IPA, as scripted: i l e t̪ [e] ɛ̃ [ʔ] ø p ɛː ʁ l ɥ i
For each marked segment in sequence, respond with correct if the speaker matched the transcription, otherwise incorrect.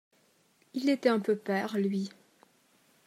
incorrect: ɛ, incorrect: p

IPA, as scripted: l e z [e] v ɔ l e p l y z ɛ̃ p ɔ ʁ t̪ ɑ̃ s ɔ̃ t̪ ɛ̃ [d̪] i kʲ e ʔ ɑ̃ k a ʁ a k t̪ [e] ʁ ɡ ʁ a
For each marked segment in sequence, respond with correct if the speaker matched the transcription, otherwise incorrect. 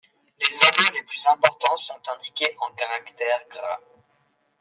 incorrect: a, correct, incorrect: ɛ

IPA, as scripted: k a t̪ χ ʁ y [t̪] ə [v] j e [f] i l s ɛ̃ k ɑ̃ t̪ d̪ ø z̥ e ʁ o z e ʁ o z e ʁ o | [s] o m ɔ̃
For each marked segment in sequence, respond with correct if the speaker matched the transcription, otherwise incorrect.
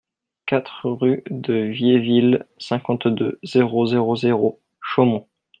incorrect: d̪, correct, incorrect: v, incorrect: ʃ

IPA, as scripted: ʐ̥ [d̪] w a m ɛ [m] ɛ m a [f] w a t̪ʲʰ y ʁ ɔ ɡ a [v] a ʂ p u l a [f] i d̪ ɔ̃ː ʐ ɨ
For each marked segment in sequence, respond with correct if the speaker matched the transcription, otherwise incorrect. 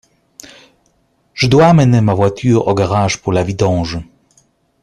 correct, incorrect: n, incorrect: v, incorrect: ʁ, incorrect: v

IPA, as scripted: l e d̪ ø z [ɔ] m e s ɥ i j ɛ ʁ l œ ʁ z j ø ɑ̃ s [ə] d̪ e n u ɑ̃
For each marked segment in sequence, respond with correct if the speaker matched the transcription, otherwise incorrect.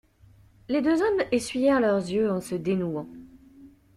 correct, correct

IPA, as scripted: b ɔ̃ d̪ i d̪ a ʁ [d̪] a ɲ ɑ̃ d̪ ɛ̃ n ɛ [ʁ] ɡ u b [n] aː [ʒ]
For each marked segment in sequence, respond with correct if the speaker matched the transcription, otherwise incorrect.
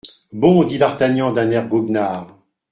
incorrect: t̪, correct, correct, incorrect: ʁ

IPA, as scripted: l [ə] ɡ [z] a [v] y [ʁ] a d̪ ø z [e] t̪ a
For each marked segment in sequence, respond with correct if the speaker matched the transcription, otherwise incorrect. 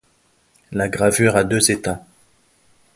incorrect: a, incorrect: ʁ, correct, correct, correct

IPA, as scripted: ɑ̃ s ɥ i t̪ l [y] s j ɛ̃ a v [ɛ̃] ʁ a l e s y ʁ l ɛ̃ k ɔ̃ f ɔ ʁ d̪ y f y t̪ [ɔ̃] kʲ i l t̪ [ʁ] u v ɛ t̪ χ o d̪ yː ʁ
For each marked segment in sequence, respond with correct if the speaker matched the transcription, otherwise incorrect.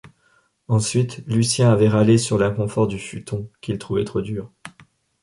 correct, incorrect: ɛ, correct, incorrect: χ

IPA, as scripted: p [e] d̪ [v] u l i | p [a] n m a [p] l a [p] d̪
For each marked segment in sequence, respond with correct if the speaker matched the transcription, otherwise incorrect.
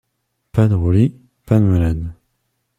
incorrect: a, incorrect: ʁ, correct, incorrect: none, incorrect: none

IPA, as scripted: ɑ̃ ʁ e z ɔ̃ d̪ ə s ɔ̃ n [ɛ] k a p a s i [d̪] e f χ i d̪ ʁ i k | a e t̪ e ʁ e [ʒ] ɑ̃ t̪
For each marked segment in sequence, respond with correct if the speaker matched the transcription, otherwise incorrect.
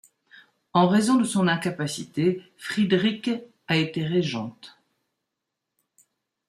incorrect: ɛ̃, incorrect: t̪, correct

